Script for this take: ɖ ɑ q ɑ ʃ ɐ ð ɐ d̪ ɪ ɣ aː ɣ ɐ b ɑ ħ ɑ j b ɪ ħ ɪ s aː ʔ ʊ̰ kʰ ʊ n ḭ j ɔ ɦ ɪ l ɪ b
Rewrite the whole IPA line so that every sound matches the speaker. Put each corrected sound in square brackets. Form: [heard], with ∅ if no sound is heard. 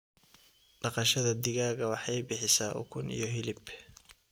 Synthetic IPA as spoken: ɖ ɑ q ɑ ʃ ɐ ð ɐ d̪ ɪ ɣ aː ɣ ɐ [w] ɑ ħ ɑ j b ɪ ħ ɪ s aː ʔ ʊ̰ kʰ ʊ n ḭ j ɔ ɦ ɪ l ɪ b

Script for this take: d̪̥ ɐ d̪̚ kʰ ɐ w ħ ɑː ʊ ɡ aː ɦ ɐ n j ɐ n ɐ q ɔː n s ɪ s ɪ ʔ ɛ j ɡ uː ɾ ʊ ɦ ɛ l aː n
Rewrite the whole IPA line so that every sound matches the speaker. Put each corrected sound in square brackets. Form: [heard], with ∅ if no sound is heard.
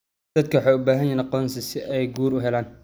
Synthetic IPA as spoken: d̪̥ ɐ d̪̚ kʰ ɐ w ħ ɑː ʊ [b] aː ɦ ɐ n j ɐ n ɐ q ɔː n s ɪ s ɪ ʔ ɛ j ɡ uː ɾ ʊ ɦ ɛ l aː n

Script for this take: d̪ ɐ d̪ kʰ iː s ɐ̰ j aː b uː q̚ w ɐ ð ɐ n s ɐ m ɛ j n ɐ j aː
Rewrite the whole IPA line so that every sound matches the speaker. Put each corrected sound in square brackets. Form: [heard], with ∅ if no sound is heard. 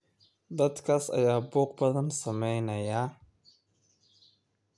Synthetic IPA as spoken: d̪ ɐ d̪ kʰ [aː] s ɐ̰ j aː b uː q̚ [b] ɐ ð ɐ n s ɐ m ɛ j n ɐ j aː

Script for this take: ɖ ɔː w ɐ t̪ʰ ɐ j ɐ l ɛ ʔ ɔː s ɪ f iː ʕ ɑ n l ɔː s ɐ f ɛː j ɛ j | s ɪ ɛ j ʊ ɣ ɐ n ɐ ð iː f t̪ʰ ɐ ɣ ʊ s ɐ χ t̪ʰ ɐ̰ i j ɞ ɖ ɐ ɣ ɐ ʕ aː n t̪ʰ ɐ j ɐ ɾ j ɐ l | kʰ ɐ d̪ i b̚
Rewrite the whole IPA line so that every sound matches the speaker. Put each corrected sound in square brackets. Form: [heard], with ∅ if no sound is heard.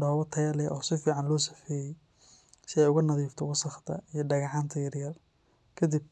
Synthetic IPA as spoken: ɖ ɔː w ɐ t̪ʰ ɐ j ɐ l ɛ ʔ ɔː s ɪ f iː ʕ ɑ n l ɔː s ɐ f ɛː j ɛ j | s ɪ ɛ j ʊ ɣ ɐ n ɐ ð iː f t̪ʰ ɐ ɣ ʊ s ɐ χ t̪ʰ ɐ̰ i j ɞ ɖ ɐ ɣ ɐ ʕ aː n t̪ʰ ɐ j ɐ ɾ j ɐ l | kʰ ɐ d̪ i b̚

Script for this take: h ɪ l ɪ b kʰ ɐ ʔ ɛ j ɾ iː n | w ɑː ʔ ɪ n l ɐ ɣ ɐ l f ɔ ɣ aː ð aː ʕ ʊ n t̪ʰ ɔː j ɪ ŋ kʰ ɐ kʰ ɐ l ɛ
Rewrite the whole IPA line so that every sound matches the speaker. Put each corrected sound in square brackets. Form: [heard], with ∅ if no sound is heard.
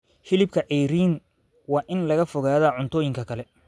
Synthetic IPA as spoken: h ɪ l ɪ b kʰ ɐ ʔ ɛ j ɾ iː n | w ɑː ʔ ɪ n l ɐ ɣ ɐ [∅] f ɔ ɣ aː ð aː ʕ ʊ n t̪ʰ ɔː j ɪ ŋ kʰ ɐ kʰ ɐ l ɛ

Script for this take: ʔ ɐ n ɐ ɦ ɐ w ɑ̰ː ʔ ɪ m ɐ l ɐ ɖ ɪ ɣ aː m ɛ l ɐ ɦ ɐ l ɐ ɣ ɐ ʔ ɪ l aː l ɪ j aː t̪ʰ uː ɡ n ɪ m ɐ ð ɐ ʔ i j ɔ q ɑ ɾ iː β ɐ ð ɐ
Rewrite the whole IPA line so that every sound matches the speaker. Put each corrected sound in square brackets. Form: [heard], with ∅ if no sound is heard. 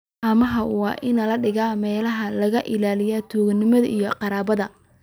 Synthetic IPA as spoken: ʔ ɐ [m] ɐ ɦ ɐ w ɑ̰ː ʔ ɪ [n] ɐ l ɐ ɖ ɪ ɣ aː m [ɛː] l ɐ ɦ ɐ l ɐ ɣ ɐ ʔ ɪ l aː l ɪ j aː t̪ʰ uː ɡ n ɪ m ɐ ð ɐ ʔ i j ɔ q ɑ ɾ [aː] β ɐ ð ɐ

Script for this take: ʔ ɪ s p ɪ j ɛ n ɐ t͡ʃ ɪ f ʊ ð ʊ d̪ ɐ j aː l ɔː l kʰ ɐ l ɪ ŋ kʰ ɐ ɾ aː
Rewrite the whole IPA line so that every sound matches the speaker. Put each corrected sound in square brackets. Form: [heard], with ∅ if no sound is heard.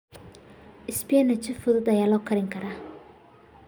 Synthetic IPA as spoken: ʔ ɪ s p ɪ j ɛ n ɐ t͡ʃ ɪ f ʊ ð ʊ d̪ ɐ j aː l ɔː [∅] kʰ ɐ [ɾ] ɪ ŋ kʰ ɐ ɾ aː

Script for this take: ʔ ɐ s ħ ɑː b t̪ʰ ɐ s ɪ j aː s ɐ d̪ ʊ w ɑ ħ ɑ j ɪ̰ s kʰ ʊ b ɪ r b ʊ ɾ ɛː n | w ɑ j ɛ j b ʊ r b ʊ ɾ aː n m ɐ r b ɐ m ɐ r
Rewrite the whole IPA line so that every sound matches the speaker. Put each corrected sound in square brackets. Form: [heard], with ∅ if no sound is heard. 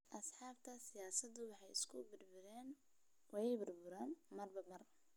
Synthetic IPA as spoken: ʔ ɐ s ħ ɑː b t̪ʰ ɐ s ɪ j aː s ɐ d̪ ʊ w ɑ ħ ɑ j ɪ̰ s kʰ ʊ b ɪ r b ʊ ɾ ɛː n | w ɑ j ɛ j b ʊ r b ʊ ɾ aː n m ɐ r b ɐ m ɐ r

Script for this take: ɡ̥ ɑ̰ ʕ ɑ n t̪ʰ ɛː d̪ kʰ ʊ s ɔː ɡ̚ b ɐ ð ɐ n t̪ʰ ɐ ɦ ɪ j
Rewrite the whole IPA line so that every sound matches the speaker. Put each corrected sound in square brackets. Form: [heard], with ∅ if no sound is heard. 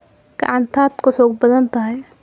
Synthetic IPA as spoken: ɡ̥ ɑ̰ ʕ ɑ n t̪ʰ [aː] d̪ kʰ ʊ [ħ] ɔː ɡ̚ b ɐ ð ɐ n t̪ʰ ɐ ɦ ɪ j

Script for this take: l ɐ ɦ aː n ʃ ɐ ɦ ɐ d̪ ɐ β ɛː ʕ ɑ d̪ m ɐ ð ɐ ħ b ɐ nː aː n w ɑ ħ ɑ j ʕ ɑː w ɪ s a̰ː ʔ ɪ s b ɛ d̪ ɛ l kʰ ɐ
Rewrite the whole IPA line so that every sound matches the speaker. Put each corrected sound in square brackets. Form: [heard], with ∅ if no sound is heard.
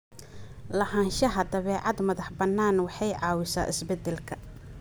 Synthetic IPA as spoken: l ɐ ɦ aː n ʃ ɐ ɦ ɐ d̪ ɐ β ɛː ʕ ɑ d̪ m ɐ ð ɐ ħ b ɐ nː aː n w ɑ ħ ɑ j ʕ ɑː w ɪ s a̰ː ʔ ɪ s b ɛ d̪ ɛ l kʰ ɐ

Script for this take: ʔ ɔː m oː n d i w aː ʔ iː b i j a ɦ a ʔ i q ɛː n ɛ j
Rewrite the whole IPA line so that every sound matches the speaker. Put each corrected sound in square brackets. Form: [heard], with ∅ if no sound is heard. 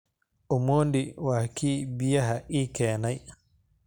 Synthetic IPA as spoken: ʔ [ɔ] m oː n d i w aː [k] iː b i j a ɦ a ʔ i [k] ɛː n [a] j

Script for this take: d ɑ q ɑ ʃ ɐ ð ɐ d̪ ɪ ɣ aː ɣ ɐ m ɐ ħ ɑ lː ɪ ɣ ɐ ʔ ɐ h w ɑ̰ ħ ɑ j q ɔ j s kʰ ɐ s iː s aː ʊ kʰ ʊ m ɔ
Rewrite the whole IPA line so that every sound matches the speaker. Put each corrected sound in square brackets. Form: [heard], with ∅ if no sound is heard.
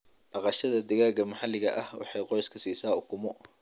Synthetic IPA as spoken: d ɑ q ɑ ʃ ɐ ð ɐ d̪ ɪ ɣ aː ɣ ɐ m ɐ ħ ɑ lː ɪ ɣ ɐ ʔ ɐ h w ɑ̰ ħ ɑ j q ɔ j s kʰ ɐ s iː s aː ʊ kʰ ʊ m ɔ

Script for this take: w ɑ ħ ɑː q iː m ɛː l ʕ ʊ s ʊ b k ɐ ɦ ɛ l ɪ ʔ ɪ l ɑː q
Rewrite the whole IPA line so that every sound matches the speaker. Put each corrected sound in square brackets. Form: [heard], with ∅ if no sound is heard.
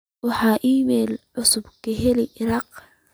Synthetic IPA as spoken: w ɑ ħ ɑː [ʔ] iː m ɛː l ʕ ʊ s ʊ b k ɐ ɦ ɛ l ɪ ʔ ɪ [ɾ] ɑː q

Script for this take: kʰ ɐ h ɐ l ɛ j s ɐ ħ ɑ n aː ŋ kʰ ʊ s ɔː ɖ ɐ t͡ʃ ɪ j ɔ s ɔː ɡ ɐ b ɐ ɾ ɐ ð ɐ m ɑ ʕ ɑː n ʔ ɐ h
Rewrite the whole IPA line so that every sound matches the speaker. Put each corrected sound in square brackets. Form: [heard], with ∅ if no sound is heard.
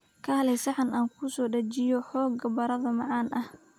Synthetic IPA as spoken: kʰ ɐ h ɐ l ɛ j s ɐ ħ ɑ n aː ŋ kʰ ʊ s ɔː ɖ ɐ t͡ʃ ɪ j ɔ [ħ] ɔː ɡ ɐ b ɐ ɾ ɐ ð ɐ m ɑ ʕ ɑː n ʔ ɐ h

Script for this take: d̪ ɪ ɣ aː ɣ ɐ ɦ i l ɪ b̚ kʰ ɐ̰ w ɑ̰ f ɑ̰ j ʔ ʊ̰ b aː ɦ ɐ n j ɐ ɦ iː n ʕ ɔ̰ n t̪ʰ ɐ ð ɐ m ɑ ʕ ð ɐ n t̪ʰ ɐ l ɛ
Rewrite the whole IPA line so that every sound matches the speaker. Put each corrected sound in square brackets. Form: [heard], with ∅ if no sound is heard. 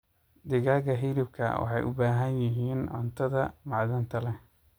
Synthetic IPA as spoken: d̪ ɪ ɣ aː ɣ ɐ ɦ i l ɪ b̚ kʰ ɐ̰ w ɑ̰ [ħ] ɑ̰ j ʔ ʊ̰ b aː ɦ ɐ n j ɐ ɦ iː n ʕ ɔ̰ n t̪ʰ ɐ ð ɐ m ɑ ʕ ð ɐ n t̪ʰ ɐ l ɛ

